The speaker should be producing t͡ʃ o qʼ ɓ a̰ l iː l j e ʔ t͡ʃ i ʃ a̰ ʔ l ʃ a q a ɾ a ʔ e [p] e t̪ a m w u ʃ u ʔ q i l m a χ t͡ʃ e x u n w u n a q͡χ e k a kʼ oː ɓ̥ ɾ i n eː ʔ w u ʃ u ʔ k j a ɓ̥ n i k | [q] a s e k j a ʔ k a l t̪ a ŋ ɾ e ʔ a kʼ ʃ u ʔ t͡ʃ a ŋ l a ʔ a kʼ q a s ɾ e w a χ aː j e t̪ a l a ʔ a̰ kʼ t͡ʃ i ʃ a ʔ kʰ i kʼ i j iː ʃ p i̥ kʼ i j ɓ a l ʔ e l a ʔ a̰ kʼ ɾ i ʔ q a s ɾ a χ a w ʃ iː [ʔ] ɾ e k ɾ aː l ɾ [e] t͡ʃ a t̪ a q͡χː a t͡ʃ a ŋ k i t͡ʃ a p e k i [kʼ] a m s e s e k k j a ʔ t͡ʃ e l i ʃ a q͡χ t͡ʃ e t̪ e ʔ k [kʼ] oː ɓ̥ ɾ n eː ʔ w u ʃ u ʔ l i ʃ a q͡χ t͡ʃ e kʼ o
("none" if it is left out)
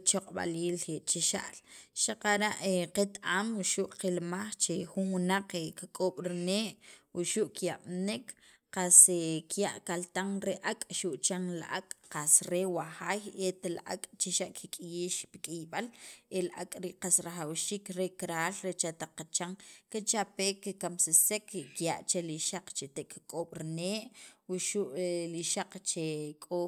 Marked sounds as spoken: q, q, k, e, k, kʼ

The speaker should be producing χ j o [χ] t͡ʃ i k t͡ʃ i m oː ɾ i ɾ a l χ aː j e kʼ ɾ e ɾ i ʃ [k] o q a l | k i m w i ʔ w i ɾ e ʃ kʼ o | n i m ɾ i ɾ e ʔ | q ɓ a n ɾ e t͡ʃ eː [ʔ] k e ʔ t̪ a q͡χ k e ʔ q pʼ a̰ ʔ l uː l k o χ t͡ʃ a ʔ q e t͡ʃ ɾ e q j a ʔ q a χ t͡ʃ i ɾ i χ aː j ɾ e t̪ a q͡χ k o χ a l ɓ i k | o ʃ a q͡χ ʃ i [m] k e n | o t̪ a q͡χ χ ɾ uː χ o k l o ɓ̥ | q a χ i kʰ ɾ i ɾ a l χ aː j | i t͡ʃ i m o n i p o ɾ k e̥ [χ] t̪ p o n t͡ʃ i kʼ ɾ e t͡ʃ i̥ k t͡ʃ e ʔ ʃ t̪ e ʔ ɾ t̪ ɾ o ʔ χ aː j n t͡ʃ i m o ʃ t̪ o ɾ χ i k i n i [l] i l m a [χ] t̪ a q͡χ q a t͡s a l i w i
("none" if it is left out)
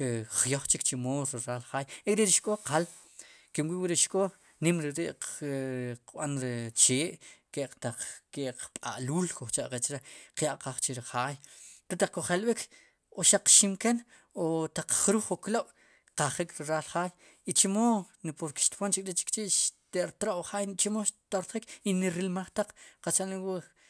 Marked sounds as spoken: χ, kʼ, ʔ, m, ʃ, ɾ, χ

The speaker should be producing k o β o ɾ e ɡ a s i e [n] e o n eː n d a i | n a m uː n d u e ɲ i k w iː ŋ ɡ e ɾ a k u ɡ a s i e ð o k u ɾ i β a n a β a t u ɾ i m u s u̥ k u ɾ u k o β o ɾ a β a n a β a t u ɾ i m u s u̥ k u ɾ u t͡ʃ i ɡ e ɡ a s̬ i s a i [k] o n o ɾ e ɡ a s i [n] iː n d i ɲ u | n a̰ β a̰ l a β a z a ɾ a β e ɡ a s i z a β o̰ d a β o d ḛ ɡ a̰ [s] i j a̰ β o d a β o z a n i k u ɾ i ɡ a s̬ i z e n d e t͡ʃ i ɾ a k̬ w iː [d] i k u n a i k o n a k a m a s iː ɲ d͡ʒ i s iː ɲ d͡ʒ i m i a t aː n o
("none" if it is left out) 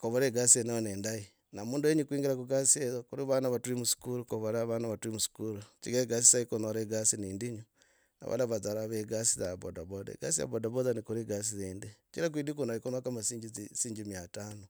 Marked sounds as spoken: n, k, n, s, d

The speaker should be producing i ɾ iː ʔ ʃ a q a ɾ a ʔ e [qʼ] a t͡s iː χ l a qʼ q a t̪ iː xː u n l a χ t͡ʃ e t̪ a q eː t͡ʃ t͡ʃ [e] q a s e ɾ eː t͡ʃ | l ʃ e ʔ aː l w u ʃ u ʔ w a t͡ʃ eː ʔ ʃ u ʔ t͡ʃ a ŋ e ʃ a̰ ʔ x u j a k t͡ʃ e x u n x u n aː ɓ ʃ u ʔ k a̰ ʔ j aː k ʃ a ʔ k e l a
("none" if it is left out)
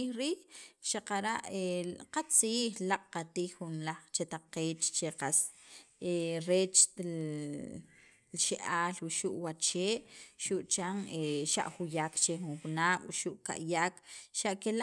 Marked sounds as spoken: q, e

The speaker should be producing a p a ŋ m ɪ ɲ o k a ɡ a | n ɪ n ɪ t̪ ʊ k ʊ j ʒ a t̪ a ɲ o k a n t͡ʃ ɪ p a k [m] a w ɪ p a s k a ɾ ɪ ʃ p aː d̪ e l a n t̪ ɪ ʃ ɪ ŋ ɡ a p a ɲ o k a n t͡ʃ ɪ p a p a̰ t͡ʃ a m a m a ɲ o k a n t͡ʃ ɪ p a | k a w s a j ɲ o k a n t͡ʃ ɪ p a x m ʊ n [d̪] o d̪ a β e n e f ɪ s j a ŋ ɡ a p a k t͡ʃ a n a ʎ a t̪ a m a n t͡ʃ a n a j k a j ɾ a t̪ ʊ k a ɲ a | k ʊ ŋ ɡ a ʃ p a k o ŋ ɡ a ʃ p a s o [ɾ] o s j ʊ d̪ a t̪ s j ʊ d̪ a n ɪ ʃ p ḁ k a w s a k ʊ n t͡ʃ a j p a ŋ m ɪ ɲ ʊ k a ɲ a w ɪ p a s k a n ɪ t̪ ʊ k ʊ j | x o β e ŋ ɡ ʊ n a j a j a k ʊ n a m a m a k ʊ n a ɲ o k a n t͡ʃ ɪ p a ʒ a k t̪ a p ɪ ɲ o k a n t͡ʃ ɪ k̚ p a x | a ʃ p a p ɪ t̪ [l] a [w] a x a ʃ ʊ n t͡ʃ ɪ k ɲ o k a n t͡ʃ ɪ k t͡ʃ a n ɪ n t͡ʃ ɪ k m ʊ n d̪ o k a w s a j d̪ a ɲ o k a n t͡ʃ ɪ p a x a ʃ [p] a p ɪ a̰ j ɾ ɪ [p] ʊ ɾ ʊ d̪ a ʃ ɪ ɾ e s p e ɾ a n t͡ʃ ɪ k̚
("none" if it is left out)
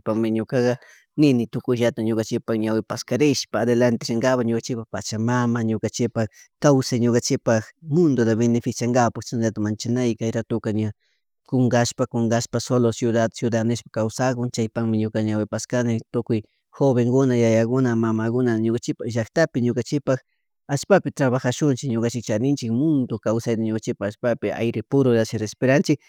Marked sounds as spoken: ɲ, d̪, l, ɾ, β, p, p

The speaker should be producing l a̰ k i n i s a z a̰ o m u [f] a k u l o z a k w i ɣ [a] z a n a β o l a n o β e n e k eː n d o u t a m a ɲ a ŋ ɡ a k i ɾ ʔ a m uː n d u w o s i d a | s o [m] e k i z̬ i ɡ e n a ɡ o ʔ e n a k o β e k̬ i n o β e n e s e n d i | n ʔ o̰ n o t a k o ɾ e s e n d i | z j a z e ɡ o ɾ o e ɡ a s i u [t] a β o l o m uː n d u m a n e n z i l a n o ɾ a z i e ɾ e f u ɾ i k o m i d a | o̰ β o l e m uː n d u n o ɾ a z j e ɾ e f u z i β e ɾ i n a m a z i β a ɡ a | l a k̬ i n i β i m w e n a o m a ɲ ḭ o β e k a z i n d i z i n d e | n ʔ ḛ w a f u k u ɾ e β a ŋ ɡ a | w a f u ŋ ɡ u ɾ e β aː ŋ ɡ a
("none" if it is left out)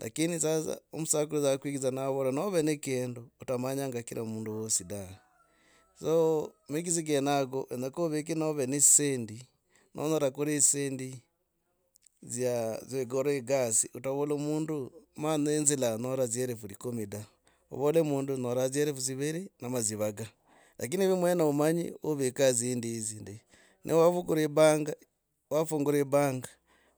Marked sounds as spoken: s, i, m, t

